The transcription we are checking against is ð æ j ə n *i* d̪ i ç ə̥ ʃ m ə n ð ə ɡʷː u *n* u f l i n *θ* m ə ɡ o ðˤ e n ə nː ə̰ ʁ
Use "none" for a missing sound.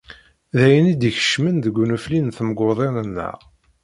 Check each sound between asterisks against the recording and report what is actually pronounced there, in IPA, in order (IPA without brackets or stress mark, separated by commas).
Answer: i, n, θ